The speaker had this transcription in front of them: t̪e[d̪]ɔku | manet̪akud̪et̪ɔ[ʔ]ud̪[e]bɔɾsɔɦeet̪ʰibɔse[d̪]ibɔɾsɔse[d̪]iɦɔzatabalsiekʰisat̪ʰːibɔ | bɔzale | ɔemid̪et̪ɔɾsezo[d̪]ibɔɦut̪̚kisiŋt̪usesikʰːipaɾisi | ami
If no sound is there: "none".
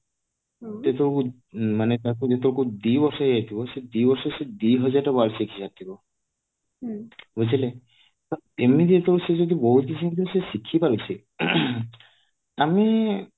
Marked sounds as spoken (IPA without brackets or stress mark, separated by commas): t̪, k, i, d̪, d̪, d̪